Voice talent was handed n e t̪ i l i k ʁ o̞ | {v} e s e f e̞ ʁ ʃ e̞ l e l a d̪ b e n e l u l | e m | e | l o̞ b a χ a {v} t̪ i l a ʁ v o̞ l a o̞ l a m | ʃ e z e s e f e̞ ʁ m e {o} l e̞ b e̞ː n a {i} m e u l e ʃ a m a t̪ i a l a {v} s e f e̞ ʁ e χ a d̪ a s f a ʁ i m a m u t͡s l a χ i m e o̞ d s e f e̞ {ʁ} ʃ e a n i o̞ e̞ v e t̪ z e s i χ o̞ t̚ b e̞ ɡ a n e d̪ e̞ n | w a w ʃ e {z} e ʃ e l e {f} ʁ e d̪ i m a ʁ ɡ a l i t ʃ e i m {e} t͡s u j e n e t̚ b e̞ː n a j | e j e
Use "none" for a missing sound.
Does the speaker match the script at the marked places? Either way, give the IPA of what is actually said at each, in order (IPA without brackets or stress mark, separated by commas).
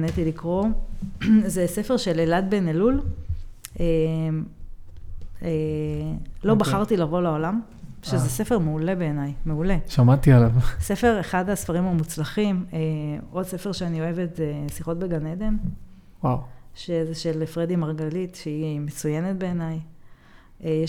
z, ʁ, u, j, v, ʁ, z, f, e